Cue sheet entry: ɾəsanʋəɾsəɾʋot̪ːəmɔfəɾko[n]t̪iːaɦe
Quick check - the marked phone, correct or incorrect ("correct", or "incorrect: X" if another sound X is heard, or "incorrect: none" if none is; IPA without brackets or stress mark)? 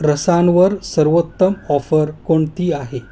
incorrect: ɳ